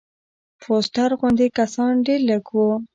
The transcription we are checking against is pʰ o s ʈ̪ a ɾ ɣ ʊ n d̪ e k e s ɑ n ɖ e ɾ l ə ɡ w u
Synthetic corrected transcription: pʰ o s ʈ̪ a ɾ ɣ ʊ n d̪ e k a s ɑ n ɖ e ɾ l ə ɡ w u